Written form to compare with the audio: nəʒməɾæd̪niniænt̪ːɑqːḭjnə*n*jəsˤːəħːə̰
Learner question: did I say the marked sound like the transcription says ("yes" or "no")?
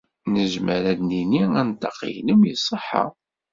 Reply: no